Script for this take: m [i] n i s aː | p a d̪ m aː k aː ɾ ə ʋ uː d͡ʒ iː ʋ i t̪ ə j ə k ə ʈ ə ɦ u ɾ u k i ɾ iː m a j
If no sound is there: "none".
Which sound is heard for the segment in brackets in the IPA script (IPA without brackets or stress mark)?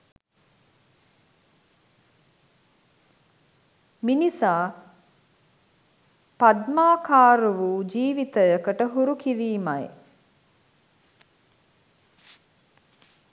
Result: i